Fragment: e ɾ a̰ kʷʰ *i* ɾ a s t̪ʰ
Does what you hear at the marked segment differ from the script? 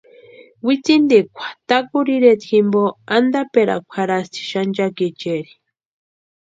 yes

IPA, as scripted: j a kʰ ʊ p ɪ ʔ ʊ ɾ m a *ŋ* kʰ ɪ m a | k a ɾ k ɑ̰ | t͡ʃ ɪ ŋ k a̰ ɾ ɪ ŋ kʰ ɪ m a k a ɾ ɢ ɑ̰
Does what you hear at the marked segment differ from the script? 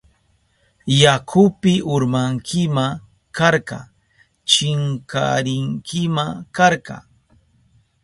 no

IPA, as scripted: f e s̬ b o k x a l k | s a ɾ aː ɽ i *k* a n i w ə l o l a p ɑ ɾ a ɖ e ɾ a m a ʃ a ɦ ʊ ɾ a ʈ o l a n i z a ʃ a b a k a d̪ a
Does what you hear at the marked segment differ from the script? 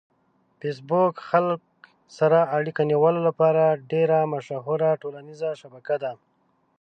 no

